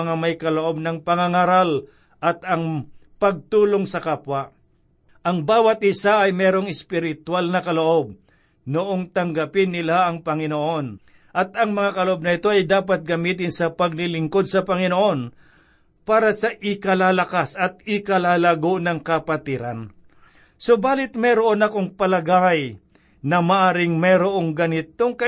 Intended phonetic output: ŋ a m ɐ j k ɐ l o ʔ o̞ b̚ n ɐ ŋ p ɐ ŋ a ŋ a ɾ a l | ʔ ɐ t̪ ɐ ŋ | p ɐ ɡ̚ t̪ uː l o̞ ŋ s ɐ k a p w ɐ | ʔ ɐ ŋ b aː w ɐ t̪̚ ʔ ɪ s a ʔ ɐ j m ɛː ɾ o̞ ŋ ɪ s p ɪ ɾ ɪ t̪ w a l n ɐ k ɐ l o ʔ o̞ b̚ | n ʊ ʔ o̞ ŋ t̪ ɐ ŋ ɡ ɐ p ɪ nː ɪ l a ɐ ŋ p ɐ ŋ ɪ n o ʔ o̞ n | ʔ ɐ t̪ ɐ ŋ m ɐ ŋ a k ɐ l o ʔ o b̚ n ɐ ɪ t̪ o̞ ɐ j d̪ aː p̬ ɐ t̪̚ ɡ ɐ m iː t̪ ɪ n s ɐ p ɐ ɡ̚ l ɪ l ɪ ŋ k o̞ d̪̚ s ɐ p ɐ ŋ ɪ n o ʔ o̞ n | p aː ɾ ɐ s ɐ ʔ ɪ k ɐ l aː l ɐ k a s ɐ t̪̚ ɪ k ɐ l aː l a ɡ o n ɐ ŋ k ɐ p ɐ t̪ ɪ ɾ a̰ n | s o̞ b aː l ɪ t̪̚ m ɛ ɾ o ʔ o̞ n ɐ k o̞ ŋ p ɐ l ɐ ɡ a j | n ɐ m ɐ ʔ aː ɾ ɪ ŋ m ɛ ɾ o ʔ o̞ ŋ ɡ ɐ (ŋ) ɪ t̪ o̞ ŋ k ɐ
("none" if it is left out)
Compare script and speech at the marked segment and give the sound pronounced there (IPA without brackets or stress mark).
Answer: n